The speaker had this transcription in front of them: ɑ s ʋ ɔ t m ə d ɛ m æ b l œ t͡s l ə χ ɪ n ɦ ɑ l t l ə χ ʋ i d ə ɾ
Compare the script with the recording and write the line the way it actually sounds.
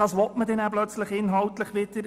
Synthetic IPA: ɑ s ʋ ɔ t m ə d ɛ n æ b l œ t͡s l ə χ ɪ n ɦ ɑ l t l ə χ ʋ ɪ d ə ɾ